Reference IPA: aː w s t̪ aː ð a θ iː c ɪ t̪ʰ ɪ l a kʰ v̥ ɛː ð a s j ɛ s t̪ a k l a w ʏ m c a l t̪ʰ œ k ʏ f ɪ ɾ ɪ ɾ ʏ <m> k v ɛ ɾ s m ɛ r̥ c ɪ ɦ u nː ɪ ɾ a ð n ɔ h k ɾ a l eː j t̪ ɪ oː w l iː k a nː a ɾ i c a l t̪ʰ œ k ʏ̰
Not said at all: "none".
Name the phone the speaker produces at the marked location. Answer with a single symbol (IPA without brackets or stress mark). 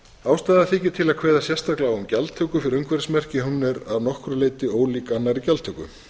ŋ